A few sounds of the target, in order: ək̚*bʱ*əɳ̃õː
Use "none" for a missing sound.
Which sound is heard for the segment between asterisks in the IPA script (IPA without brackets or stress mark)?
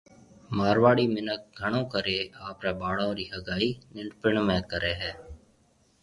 ɡʱ